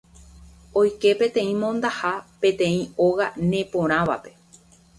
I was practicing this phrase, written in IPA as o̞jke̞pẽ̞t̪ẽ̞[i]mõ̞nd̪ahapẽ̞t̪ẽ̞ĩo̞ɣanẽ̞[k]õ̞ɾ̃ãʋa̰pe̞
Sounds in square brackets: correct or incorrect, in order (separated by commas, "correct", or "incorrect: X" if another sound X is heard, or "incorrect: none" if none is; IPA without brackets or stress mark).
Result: incorrect: ĩ, incorrect: p